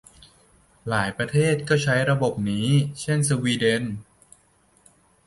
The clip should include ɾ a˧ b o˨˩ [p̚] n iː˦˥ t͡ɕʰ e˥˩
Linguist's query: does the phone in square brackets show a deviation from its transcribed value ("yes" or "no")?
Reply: no